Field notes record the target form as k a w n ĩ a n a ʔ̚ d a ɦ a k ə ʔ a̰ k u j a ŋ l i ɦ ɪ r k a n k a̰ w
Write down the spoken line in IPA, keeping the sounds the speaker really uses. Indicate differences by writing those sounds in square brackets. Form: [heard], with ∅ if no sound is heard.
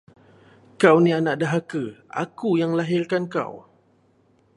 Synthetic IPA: k a w n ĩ a n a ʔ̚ d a ɦ a k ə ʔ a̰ k u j a ŋ l [a] ɦ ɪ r k a n k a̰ w